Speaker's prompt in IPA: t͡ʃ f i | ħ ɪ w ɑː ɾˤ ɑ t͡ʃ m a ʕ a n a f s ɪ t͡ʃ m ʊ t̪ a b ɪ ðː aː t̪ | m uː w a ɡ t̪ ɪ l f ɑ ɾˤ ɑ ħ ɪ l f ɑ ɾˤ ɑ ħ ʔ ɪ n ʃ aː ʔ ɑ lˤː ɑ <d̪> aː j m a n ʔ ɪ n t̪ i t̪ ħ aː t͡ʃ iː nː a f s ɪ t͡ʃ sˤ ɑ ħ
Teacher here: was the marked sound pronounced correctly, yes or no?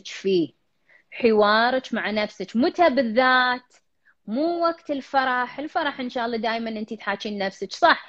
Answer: yes